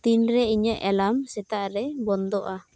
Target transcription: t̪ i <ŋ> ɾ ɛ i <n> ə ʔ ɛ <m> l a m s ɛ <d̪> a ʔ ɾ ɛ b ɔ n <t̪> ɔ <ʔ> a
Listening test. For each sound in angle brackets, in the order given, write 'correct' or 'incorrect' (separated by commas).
incorrect, incorrect, incorrect, incorrect, incorrect, correct